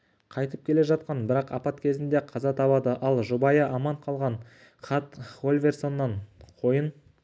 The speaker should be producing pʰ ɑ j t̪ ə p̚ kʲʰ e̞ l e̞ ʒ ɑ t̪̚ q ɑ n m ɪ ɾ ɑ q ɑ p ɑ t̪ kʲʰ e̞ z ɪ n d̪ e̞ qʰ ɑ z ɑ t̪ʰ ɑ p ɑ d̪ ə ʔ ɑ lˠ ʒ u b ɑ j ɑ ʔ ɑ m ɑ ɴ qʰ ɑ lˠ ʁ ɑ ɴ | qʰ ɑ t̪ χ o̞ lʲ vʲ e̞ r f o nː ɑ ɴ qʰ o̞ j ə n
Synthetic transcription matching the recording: qʰ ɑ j t̪ ə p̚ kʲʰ e̞ l e̞ ʒ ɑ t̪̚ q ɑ n b ɪ ɾ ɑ q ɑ p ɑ t̪ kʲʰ e̞ z ɪ n d̪ e̞ qʰ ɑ z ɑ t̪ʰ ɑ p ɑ d̪ ə ʔ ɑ lˠ ʒ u b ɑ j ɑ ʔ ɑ m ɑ ɴ qʰ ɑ lˠ ʁ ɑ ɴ | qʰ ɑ t̪ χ o̞ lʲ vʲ e̞ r s o nː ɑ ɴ qʰ o̞ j ə n